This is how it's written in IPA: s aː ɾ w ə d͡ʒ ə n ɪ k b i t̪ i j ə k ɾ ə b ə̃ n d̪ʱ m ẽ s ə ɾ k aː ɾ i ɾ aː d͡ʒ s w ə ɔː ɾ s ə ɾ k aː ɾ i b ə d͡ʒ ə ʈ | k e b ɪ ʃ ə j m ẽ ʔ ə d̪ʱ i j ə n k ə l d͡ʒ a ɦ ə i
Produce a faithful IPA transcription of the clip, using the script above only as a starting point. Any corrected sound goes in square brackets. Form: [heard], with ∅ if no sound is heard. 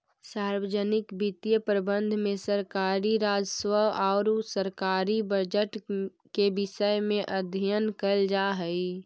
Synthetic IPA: s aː ɾ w ə d͡ʒ ə n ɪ k b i t̪ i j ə [p] ɾ ə b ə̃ n d̪ʱ m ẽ s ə ɾ k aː ɾ i ɾ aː d͡ʒ s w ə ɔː ɾ s ə ɾ k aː ɾ i b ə d͡ʒ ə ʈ | k e b ɪ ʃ ə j m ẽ ʔ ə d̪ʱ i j ə n k ə l d͡ʒ a ɦ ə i